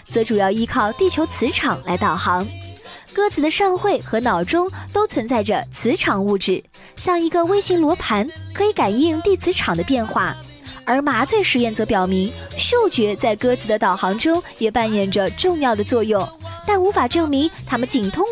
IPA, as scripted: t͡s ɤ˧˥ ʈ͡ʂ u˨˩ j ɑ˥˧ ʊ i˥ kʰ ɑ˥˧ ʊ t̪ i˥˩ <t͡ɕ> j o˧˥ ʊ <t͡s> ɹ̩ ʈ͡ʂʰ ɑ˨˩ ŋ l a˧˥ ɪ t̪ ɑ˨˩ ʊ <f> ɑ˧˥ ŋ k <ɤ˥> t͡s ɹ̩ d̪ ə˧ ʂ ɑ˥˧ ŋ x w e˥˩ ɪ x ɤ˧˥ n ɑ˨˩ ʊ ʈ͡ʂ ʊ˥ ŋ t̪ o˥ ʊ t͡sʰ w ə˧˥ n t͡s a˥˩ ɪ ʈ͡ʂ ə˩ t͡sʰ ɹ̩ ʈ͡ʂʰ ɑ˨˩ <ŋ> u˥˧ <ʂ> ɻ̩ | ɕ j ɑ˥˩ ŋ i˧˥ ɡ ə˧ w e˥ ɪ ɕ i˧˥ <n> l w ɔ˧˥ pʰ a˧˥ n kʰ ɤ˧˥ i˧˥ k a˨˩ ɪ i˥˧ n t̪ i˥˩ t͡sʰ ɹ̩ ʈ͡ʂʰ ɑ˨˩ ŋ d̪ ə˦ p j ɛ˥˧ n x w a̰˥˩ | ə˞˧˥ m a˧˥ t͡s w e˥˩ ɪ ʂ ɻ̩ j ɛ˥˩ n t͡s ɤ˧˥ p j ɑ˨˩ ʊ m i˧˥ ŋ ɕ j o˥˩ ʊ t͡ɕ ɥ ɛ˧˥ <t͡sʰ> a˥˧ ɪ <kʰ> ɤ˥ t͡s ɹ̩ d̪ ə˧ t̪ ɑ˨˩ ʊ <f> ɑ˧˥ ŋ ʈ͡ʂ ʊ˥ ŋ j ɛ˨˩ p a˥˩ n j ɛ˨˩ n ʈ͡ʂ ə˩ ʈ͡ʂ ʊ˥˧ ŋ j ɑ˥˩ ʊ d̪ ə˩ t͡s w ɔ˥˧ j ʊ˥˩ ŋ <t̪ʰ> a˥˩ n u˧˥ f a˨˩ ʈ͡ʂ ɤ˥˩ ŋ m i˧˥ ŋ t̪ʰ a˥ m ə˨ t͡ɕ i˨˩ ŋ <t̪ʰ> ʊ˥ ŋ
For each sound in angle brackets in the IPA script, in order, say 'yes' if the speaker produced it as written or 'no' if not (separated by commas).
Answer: no, no, no, yes, yes, no, no, no, no, no, no, yes